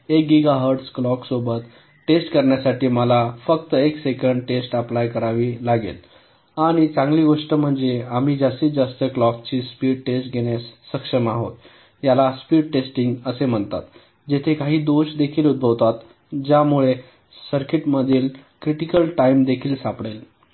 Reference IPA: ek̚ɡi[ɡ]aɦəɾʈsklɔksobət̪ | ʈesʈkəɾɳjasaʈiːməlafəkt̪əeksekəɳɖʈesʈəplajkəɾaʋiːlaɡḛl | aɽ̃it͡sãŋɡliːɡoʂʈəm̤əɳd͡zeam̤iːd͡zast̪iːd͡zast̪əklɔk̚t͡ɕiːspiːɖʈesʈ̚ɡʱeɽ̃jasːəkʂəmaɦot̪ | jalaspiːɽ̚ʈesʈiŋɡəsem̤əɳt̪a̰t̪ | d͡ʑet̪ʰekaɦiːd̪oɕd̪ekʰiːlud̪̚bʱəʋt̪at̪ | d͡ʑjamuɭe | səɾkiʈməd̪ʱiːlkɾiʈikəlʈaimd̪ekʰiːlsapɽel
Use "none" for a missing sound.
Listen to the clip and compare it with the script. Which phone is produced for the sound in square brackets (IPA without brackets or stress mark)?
ɡ